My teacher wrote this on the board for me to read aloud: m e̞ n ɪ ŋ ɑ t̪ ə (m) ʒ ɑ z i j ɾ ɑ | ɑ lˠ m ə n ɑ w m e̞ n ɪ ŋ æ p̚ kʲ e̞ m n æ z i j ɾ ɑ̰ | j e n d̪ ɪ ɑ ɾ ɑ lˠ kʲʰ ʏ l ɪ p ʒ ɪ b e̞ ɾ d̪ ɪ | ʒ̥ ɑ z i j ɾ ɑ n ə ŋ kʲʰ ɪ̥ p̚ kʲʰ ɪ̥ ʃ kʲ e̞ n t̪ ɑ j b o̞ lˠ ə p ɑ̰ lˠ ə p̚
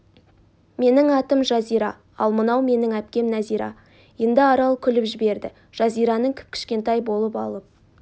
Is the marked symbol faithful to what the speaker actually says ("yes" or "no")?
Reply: yes